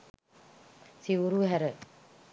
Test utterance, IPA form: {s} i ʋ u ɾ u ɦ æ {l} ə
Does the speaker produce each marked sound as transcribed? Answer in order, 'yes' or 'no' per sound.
yes, no

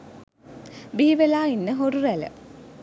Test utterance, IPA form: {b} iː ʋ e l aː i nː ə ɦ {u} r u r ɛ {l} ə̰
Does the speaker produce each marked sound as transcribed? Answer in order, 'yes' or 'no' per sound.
yes, no, yes

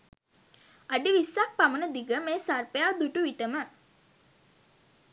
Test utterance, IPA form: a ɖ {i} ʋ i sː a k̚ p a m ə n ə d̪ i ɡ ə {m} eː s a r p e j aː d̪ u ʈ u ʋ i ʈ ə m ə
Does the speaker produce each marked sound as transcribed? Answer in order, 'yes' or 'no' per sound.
yes, yes

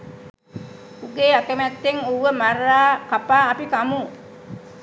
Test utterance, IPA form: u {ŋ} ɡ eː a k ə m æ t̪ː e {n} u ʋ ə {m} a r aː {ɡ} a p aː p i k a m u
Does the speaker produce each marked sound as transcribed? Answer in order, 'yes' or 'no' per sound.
no, no, yes, no

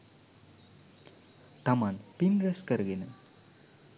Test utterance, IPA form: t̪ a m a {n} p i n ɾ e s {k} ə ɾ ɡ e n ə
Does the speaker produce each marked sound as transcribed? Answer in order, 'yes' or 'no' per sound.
yes, yes

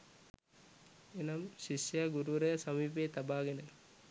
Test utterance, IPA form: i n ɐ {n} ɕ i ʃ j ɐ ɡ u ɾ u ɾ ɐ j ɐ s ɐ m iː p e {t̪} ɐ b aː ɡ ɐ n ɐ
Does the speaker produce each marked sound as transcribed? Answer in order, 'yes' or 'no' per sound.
no, yes

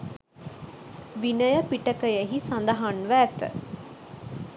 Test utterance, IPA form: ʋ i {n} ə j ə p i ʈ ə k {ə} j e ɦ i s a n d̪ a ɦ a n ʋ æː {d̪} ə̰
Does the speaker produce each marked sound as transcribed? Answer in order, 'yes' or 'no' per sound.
yes, yes, no

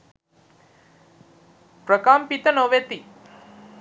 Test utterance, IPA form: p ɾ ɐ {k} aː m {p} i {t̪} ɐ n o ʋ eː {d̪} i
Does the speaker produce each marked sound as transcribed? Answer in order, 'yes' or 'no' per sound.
yes, yes, yes, no

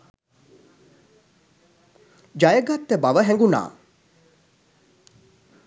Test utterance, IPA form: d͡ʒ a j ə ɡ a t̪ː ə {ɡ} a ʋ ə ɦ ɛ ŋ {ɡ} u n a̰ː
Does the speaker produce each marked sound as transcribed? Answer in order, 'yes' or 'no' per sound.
no, yes

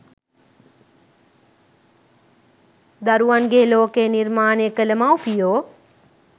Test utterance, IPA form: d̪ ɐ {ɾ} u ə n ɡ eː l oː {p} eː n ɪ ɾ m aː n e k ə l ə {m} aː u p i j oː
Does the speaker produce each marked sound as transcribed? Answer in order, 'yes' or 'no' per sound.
yes, no, yes

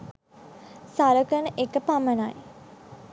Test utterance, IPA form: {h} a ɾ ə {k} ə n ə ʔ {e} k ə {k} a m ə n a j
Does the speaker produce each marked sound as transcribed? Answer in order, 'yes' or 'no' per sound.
no, yes, yes, no

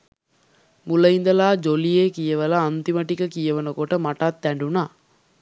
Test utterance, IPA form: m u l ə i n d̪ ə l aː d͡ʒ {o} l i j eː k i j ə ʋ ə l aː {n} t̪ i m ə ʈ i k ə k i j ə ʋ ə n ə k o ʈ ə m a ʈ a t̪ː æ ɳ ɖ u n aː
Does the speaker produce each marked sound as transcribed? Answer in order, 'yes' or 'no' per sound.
yes, yes

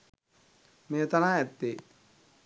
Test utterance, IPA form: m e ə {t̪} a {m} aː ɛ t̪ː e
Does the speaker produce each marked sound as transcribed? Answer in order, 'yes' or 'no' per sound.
yes, no

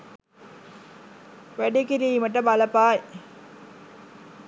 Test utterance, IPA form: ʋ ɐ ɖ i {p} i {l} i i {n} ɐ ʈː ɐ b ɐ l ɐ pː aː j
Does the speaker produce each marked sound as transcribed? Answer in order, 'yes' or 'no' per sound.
no, no, no

